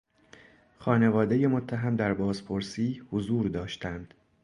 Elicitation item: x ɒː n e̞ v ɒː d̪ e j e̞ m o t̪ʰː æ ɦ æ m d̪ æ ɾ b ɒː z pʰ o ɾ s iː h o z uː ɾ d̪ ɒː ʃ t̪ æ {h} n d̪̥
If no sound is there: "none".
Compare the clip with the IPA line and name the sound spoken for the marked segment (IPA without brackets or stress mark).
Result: none